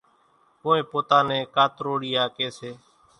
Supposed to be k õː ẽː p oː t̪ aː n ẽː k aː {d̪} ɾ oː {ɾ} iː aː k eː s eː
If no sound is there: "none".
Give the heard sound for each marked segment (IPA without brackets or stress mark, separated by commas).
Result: t̪, ɽ